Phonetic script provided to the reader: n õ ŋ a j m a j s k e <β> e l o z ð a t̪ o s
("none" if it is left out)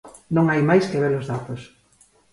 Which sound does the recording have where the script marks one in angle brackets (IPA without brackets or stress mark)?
β